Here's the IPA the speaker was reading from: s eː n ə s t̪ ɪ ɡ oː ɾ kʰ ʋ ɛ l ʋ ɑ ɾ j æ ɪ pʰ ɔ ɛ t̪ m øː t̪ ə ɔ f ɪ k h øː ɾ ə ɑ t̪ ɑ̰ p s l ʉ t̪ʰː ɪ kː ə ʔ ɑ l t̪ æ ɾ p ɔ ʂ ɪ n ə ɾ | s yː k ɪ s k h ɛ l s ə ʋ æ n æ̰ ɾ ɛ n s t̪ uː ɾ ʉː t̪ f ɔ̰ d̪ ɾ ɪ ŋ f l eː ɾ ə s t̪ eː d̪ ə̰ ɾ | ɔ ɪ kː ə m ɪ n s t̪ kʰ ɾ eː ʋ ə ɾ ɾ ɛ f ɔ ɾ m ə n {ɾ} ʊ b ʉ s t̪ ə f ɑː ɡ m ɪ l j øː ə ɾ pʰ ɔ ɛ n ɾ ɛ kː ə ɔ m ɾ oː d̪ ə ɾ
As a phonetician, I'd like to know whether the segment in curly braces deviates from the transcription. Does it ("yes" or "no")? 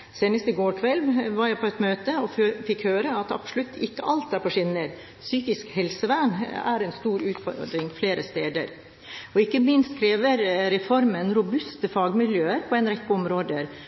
no